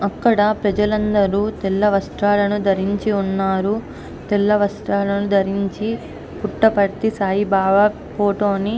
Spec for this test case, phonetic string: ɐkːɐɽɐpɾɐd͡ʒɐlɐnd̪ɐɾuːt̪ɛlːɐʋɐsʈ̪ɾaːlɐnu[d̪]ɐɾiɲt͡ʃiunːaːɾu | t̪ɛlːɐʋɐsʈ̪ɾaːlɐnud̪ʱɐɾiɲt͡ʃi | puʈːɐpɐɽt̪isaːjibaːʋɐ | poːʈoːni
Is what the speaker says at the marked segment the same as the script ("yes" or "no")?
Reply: yes